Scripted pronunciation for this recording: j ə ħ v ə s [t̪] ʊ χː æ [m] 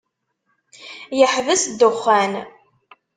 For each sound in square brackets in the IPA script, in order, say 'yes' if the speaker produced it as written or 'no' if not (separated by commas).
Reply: no, no